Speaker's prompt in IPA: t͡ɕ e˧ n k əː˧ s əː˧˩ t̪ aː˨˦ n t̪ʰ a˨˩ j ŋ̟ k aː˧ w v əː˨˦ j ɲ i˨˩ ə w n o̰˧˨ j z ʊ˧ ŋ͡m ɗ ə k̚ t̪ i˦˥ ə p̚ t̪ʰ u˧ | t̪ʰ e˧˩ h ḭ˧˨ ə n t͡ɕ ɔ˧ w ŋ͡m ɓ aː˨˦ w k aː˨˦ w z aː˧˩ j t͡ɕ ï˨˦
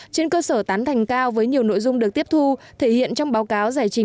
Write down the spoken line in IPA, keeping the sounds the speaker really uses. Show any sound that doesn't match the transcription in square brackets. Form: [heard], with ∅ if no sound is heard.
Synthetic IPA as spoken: t͡ɕ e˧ n k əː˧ s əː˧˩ t̪ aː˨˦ n t̪ʰ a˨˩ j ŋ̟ k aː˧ w v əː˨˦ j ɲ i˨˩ ə w n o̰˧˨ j z ʊ˧ ŋ͡m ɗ ə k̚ t̪ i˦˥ ə p̚ t̪ʰ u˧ | t̪ʰ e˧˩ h ḭ˧˨ ə n t͡ɕ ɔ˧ w ŋ͡m ɓ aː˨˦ w k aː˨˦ w z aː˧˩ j t͡ɕ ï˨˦